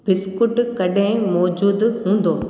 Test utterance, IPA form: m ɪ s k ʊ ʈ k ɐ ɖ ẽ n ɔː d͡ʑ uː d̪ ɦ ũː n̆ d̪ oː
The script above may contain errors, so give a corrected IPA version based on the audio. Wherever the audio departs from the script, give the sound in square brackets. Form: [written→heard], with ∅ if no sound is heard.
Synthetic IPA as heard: [m→b] ɪ s k ʊ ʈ k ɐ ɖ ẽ [n→m] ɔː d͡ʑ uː d̪ ɦ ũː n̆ d̪ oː